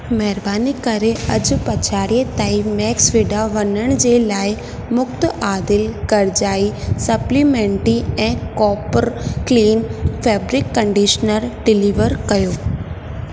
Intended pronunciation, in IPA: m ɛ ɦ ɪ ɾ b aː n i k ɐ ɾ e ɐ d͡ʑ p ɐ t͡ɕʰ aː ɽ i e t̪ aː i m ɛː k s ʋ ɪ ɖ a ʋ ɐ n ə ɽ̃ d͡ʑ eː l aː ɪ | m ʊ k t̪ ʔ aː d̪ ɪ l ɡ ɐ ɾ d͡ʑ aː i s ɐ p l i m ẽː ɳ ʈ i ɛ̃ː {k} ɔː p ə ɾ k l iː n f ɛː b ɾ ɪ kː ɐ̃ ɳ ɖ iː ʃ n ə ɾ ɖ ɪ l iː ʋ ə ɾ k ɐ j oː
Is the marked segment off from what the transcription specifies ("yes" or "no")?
no